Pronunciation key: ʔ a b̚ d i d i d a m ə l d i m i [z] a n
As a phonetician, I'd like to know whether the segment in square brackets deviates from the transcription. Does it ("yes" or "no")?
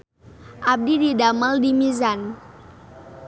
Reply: no